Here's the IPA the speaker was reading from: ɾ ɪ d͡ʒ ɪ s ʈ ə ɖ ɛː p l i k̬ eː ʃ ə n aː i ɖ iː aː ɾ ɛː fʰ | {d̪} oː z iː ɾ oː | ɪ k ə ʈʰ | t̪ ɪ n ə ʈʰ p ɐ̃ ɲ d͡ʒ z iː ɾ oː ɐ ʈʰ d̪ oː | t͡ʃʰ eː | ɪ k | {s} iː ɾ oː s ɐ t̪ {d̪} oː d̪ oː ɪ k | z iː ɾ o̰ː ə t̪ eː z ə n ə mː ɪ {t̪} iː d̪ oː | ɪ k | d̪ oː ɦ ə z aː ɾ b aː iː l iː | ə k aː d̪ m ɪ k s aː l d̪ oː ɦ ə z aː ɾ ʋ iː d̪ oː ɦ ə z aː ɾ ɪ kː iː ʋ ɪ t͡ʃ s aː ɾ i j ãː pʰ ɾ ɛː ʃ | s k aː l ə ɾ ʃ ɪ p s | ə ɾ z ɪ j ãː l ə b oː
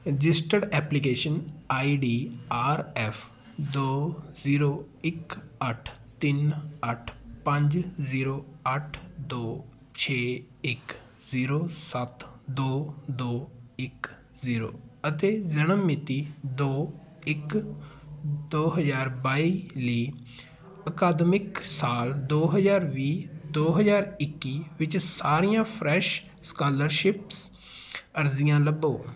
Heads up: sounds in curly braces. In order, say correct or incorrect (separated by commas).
correct, incorrect, correct, correct